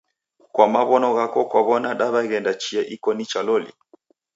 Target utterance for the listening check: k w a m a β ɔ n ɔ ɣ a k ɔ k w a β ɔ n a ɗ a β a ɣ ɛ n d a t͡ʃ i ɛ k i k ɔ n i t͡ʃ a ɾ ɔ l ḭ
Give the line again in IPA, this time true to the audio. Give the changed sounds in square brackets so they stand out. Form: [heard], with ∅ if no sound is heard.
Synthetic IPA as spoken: k w a m a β ɔ n ɔ ɣ a k ɔ k w a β ɔ n a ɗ a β a ɣ ɛ n d a t͡ʃ i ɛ [ʔ] i k ɔ n i t͡ʃ a [l] ɔ l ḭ